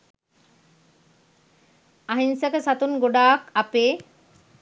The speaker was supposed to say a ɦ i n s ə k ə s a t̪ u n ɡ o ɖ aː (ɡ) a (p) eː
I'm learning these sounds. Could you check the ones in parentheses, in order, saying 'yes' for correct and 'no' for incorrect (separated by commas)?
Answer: no, yes